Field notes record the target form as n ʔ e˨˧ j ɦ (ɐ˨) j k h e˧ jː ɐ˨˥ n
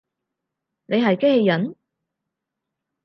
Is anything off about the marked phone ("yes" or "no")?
no